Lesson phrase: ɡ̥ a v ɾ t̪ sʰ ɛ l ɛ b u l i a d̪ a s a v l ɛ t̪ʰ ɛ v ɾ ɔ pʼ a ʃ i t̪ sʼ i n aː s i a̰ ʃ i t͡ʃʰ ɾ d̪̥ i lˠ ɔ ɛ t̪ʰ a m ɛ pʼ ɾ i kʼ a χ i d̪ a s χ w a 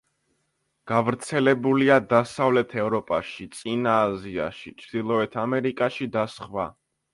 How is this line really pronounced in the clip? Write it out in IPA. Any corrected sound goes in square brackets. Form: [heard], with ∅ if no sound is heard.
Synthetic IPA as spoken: ɡ̥ a v ɾ t̪ sʰ ɛ l ɛ b u l i a d̪ a s a v l ɛ t̪ʰ ɛ v ɾ ɔ pʼ a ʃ i t̪ sʼ i n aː [z] i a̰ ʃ i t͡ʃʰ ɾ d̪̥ i lˠ ɔ ɛ t̪ʰ a m ɛ [∅] ɾ i kʼ a [ʃ] i d̪ a s χ w a